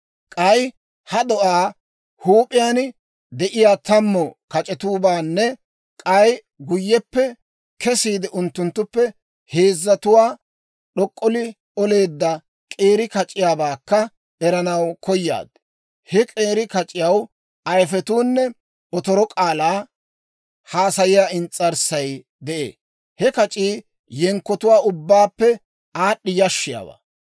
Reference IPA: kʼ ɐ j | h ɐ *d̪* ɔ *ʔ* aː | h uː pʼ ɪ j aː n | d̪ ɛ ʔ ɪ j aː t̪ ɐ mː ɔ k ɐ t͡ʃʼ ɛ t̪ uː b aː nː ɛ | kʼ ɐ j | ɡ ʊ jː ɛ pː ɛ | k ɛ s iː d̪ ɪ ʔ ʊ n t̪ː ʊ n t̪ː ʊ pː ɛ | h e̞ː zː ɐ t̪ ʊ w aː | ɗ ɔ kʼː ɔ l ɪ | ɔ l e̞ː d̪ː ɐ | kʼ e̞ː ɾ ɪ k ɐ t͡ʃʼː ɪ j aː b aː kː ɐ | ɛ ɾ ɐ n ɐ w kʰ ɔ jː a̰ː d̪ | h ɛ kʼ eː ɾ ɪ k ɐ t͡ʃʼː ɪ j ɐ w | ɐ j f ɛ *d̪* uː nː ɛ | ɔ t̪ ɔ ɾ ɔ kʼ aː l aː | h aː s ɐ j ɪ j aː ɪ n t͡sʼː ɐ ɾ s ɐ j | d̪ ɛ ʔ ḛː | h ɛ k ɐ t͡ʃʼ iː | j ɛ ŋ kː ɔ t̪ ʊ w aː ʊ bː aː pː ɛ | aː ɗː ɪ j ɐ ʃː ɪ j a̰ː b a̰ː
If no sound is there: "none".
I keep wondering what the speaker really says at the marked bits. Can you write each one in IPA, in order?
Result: d̪, ʔ, t̪

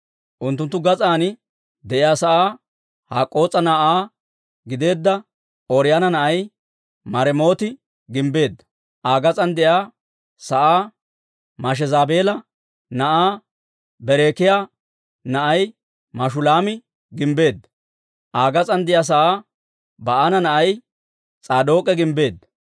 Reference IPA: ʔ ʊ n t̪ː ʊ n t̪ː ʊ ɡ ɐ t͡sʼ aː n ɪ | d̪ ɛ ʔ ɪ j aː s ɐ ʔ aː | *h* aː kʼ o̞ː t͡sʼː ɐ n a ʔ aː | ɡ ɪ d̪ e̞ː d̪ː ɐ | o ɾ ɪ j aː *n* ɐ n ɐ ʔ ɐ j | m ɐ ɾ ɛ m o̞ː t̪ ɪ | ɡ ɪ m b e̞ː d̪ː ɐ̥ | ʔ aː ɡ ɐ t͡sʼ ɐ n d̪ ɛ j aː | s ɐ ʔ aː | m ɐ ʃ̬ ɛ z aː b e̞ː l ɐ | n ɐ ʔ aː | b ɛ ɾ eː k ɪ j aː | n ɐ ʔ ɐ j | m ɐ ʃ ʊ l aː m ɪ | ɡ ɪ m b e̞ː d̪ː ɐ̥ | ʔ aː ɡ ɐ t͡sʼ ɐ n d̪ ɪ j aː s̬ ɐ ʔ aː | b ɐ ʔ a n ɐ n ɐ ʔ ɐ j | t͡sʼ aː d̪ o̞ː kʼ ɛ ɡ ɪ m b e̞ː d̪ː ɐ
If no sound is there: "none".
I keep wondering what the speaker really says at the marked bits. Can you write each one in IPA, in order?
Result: h, n

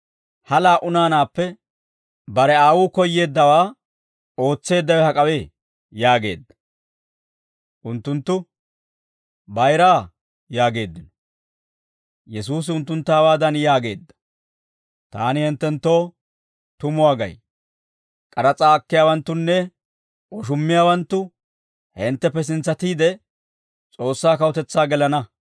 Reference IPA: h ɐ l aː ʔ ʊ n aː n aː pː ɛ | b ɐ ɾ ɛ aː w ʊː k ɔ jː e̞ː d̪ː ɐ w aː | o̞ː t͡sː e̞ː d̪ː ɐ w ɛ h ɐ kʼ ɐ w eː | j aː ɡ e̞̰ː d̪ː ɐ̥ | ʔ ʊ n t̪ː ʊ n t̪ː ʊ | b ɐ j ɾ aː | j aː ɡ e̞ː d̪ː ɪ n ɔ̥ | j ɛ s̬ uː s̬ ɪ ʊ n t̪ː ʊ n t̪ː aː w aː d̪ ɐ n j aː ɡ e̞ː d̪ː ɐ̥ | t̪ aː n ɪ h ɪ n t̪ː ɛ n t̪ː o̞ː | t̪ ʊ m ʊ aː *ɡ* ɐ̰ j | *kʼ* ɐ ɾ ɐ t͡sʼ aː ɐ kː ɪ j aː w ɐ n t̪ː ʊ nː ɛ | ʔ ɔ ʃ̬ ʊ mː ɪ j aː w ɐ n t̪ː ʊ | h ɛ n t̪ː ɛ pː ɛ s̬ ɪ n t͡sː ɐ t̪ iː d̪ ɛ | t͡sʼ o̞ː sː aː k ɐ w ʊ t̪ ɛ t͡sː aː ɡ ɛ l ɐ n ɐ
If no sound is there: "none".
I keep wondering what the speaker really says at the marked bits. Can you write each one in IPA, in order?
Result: ɡ, kʼ

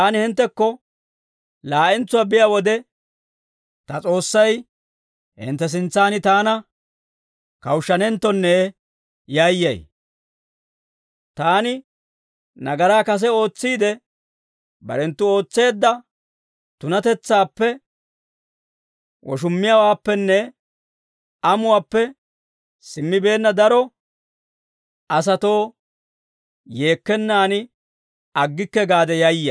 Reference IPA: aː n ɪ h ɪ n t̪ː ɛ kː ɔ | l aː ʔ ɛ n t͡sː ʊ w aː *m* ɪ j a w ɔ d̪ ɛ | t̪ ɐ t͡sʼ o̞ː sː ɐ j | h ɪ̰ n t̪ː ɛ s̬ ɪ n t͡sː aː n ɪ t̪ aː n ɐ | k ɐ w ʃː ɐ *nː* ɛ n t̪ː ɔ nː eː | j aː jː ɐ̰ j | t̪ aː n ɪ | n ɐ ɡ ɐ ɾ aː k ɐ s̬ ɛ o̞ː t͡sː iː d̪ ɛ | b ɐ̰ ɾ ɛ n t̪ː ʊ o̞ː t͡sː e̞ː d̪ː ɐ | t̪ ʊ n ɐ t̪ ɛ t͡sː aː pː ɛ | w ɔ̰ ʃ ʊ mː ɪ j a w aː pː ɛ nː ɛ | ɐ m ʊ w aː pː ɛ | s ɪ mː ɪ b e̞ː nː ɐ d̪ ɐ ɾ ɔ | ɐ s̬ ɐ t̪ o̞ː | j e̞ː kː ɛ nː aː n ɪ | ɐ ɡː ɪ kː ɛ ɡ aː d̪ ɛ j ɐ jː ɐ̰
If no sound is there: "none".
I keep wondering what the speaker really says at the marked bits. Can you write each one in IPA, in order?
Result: b, n

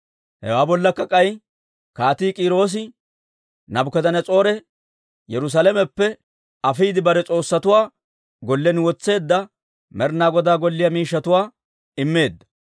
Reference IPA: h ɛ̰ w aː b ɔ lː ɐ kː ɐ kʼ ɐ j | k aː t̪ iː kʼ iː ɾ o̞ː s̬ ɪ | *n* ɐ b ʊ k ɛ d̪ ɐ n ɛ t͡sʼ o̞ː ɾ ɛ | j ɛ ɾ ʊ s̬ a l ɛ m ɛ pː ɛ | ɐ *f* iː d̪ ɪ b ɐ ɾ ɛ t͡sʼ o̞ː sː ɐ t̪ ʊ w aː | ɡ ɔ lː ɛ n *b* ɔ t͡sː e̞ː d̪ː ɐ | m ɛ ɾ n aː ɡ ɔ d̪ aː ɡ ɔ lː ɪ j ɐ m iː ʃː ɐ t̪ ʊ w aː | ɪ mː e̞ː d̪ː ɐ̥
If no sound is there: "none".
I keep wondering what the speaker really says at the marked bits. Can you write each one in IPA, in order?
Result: n, f, w

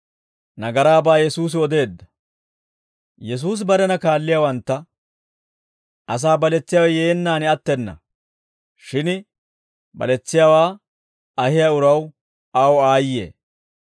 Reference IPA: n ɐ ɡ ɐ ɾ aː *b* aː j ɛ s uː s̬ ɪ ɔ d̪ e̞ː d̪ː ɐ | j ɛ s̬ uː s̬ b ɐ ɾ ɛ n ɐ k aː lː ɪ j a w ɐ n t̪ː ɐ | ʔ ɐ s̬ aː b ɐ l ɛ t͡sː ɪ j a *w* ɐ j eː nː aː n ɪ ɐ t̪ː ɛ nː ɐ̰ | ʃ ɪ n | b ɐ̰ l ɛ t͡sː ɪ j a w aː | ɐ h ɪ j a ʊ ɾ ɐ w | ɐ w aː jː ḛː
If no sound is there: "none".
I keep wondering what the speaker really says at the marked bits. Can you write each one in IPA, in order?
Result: b, w

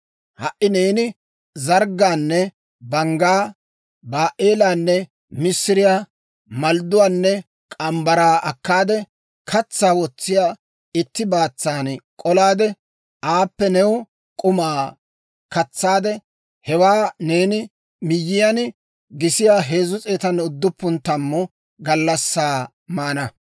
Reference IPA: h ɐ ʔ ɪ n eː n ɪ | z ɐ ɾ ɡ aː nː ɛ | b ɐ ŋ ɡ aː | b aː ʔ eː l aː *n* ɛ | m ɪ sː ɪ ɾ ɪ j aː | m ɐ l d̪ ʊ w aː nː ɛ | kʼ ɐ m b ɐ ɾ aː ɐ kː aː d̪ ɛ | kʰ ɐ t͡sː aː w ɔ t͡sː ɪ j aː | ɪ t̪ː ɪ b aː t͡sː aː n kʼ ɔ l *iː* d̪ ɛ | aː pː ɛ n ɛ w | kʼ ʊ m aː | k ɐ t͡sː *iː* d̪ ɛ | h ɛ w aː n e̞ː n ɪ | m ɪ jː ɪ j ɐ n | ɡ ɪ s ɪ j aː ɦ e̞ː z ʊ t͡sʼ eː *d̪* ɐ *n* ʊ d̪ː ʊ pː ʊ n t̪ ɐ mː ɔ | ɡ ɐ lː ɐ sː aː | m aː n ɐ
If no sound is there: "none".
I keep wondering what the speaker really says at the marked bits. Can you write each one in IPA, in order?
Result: nː, aː, aː, t̪, n

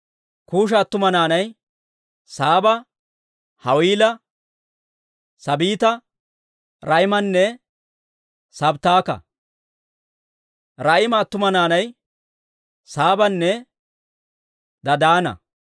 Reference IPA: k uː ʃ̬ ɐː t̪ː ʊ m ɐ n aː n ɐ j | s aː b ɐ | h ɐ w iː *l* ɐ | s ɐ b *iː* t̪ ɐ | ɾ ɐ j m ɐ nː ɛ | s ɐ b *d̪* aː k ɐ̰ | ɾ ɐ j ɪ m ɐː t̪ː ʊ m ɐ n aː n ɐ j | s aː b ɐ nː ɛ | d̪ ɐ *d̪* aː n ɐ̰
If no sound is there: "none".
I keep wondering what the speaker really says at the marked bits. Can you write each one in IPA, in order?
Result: l, iː, t̪, d̪

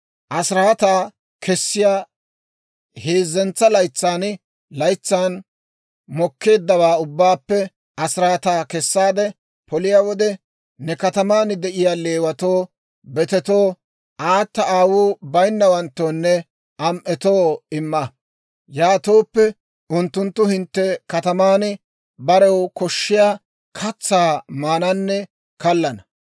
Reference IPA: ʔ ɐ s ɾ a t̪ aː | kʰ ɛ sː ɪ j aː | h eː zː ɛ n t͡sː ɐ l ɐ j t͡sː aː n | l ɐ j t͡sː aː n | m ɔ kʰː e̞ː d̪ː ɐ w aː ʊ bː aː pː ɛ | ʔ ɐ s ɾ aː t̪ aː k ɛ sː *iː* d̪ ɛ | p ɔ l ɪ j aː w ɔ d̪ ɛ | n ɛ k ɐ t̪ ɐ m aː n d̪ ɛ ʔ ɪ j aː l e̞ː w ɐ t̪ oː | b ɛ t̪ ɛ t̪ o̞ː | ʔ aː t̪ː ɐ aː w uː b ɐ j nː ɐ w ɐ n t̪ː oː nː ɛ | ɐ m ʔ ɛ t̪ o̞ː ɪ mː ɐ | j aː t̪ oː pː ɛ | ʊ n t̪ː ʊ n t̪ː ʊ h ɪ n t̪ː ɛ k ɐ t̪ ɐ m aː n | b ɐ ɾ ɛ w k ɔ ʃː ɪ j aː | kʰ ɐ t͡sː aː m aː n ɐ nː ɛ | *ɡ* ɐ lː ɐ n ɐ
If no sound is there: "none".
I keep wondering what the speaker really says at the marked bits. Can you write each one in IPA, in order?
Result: aː, k

